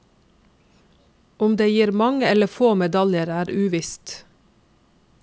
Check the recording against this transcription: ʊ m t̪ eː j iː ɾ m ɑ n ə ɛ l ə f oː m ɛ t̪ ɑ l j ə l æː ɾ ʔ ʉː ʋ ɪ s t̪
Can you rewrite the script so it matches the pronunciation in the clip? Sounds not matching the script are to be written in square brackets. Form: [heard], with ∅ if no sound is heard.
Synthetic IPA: ʊ m [d̪] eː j iː ɾ m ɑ [ŋ] ə ɛ l ə f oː m ɛ [d̪] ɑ l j ə [ɾ] æː ɾ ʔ ʉː ʋ ɪ s t̪